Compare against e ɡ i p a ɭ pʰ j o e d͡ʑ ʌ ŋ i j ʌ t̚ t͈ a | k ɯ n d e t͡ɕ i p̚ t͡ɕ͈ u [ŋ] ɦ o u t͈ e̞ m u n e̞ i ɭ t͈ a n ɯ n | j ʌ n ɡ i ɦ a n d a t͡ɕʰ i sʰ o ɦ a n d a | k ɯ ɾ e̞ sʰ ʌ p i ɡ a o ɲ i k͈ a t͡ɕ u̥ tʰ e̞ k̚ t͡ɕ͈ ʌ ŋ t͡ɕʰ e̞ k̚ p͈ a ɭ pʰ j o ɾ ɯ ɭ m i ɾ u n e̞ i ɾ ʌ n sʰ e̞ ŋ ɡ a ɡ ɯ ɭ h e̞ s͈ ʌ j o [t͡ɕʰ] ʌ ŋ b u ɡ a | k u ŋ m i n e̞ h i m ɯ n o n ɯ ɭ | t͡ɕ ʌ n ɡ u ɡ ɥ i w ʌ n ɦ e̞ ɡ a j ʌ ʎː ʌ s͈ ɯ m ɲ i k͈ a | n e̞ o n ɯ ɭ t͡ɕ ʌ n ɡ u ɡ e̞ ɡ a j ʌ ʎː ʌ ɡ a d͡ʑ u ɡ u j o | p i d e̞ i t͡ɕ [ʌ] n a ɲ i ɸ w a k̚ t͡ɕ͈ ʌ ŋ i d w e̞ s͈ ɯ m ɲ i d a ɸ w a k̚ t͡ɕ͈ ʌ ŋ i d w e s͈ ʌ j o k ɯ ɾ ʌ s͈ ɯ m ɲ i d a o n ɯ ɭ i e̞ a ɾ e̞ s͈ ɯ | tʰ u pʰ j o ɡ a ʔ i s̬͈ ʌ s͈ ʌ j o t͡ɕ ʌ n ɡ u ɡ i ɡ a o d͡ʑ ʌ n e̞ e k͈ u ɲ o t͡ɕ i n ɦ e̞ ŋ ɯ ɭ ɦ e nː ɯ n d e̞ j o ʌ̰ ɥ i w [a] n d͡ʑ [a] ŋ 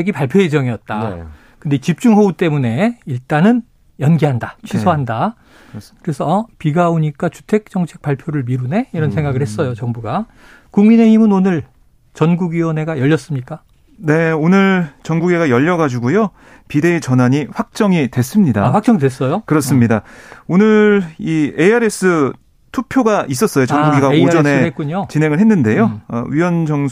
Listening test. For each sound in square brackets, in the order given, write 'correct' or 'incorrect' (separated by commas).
correct, incorrect, correct, incorrect, incorrect